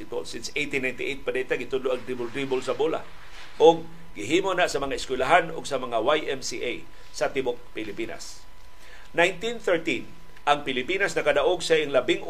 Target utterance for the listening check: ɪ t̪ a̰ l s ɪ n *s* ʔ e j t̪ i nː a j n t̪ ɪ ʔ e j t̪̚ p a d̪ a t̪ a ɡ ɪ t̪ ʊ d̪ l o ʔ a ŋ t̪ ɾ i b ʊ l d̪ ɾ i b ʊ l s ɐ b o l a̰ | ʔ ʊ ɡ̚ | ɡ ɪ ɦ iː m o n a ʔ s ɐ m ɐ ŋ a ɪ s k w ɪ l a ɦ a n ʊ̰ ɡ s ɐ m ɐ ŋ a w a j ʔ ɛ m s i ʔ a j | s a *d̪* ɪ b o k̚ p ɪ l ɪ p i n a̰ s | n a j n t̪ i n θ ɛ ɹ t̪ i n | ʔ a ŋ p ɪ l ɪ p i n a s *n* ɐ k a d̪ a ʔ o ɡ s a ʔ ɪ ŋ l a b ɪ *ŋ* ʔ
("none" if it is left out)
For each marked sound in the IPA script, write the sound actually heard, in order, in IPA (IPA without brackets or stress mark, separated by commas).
s, t̪, n, ŋ